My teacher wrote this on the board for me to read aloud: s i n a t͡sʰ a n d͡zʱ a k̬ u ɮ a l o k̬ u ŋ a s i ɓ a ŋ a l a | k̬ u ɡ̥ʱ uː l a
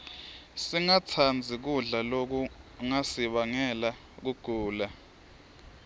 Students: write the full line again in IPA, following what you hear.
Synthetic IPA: s i ŋ a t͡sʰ a n d͡zʱ i k̬ u ɮ a l o k̬ u ŋ a s i ɓ a ŋ ɛ l a | k̬ u ɡ̥ʱ uː l a